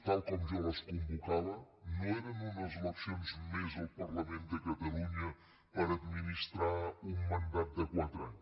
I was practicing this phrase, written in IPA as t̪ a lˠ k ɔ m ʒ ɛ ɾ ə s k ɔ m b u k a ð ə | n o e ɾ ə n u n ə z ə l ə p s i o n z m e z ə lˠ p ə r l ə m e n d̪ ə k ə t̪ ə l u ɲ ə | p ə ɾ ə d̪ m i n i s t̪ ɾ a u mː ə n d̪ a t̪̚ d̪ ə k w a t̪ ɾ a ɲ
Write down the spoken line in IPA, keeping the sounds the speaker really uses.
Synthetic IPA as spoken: t̪ a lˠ k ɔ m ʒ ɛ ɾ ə s k u m b u k a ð ə | n o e ɾ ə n u n ə z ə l ə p s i o n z m e z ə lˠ p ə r l ə m e n d̪ ə k ə t̪ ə l u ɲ ə | p ə ɾ ə d̪ m i n i s t̪ ɾ a u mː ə n d̪ a t̪̚ d̪ ə k w a t̪ ɾ a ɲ